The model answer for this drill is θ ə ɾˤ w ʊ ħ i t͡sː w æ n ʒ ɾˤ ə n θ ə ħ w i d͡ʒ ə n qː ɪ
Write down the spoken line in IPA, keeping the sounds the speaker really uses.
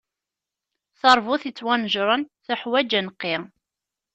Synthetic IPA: θ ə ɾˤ v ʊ θ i t͡sː w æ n ʒ ɾˤ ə n θ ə ħ w æ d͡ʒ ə n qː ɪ